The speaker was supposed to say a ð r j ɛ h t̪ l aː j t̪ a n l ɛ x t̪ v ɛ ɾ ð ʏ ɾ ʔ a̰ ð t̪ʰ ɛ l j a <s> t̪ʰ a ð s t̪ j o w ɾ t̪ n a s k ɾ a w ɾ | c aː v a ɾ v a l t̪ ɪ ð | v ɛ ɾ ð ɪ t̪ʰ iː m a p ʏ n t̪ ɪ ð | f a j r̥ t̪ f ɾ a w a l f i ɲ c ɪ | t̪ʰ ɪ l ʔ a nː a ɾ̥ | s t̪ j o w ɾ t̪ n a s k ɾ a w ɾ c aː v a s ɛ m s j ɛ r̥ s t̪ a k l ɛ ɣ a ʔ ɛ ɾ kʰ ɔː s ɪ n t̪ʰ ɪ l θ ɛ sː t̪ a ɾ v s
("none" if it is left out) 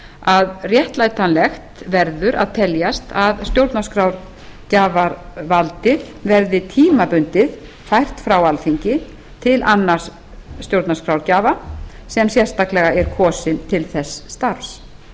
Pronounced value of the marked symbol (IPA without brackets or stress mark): s